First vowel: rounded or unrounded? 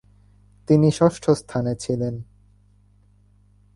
unrounded